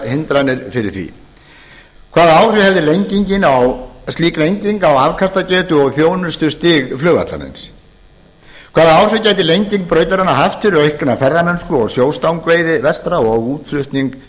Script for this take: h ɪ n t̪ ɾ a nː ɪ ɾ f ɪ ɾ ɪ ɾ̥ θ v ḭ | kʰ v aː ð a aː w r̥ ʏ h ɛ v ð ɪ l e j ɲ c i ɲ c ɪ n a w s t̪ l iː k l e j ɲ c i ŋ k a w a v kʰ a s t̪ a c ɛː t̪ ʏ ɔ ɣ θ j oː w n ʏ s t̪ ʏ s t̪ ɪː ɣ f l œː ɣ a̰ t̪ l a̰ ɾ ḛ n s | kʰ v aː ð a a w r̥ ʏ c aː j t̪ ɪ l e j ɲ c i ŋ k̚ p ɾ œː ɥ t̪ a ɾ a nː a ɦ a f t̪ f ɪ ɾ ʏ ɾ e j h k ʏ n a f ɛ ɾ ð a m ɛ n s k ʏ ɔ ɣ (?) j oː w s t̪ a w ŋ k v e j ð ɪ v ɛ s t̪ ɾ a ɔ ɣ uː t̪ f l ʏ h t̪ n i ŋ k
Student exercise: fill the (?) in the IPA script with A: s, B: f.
A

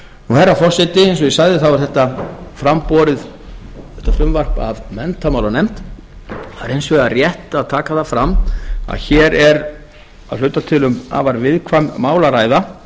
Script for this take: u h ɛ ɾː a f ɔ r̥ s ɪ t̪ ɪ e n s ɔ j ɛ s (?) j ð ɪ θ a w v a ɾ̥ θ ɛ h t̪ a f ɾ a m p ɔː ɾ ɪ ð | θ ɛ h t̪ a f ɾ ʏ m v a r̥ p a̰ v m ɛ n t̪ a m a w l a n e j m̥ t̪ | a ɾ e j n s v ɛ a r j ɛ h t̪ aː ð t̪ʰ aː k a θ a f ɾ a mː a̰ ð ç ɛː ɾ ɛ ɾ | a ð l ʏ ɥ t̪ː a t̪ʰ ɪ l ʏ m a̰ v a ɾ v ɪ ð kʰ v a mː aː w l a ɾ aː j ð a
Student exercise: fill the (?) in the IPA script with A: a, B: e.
A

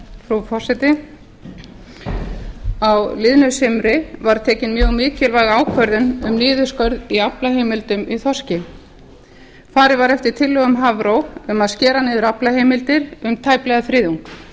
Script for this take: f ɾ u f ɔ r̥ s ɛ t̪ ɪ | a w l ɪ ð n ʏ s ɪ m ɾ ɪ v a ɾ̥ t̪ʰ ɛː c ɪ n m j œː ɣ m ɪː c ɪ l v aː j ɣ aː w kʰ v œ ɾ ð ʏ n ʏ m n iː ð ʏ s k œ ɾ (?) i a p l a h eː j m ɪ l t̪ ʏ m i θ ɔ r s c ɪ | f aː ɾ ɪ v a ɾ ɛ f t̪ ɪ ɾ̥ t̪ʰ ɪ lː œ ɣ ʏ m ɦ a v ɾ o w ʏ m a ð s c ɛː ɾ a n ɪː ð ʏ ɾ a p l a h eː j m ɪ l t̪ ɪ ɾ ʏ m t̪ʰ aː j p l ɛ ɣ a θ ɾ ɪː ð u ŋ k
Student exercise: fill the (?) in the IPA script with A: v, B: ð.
B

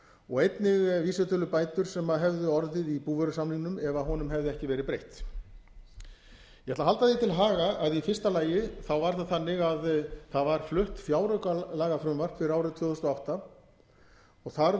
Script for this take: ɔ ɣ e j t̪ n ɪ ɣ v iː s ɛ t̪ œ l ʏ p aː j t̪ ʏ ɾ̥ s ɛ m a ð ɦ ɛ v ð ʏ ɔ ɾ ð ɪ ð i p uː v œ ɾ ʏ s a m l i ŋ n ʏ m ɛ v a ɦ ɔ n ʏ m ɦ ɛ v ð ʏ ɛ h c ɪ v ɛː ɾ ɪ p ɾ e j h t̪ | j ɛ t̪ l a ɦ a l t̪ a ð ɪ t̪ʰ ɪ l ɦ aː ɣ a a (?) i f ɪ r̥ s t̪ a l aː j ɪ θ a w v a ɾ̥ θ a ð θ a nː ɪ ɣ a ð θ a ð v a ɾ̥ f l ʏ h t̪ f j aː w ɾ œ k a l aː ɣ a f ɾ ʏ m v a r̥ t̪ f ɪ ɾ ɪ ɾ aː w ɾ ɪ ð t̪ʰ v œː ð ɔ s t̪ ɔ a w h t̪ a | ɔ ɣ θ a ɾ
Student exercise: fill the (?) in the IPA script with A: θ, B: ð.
B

